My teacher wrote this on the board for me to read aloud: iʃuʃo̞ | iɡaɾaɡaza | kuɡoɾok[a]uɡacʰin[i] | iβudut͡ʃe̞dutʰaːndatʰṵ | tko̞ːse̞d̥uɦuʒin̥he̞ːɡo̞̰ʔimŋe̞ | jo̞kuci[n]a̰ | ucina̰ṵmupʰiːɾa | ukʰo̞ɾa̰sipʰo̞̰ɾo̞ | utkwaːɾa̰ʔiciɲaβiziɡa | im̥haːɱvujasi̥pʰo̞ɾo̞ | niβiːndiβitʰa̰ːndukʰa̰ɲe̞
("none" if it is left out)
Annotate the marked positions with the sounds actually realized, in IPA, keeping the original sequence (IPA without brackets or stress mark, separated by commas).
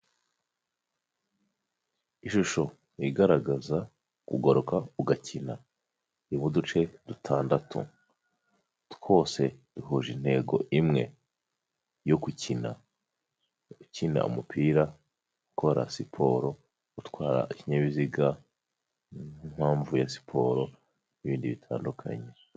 a, a, n